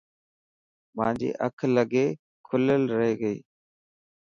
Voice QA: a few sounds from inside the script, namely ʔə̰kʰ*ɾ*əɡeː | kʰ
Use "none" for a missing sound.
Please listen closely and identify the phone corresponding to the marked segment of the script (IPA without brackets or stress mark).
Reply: l